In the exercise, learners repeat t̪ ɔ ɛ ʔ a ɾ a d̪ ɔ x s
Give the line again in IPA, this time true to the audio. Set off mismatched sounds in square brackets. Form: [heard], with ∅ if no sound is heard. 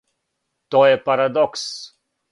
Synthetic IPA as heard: t̪ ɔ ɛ [p] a ɾ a d̪ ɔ [k] s